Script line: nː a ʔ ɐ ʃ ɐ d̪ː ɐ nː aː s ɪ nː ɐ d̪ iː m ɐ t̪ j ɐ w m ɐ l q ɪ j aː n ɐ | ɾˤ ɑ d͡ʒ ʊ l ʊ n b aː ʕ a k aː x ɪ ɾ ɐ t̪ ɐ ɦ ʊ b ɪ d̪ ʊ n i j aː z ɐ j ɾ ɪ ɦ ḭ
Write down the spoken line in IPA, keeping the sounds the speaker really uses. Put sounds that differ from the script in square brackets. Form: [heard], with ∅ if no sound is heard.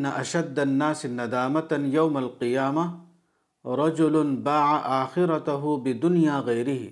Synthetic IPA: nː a ʔ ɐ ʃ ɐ d̪ː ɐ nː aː s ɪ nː ɐ d̪ [aː] m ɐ t̪ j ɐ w m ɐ l q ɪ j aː [m] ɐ | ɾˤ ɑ d͡ʒ ʊ l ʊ n b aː ʕ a [ʔ] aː x ɪ ɾ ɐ t̪ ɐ ɦ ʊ b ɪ d̪ ʊ n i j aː [ɣ] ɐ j ɾ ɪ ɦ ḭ